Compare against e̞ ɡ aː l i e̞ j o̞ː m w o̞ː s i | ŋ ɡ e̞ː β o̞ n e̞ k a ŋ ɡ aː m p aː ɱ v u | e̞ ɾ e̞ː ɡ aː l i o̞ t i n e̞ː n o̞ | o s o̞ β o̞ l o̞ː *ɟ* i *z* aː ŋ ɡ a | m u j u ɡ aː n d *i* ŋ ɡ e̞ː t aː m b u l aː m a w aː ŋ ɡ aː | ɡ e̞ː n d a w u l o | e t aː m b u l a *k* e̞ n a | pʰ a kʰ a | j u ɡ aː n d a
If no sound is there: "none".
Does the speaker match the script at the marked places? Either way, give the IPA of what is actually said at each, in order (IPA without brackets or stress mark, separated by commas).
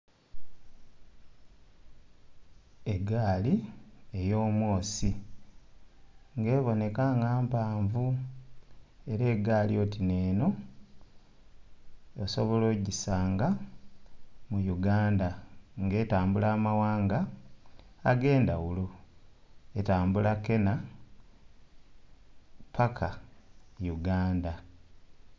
ɟ, s, a, k